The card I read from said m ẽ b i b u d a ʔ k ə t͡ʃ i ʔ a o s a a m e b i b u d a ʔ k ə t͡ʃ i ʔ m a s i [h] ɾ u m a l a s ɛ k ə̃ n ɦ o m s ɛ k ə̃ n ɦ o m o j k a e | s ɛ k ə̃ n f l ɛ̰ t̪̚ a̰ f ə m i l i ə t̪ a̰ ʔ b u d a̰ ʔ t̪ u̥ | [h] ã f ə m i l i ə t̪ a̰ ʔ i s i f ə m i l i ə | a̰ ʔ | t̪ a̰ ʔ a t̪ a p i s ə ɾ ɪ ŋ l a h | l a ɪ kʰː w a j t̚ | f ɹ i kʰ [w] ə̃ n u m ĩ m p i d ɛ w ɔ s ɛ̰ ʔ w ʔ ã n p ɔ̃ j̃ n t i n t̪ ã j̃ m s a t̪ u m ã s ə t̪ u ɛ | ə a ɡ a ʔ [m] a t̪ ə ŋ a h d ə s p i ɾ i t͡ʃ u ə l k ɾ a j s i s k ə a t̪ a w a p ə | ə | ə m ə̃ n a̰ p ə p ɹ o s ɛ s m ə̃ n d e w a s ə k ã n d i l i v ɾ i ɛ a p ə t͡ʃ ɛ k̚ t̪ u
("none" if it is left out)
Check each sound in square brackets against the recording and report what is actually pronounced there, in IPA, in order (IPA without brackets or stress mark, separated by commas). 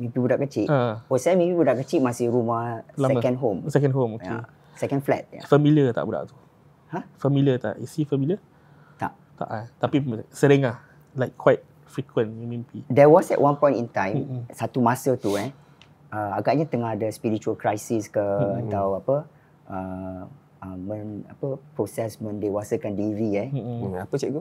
h, h, w, ɲ